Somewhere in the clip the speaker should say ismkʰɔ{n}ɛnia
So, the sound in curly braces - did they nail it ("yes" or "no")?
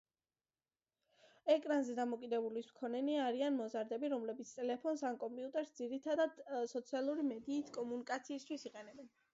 yes